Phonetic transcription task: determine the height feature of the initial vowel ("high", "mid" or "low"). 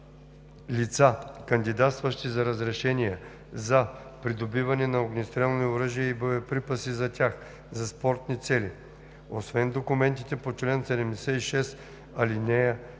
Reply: high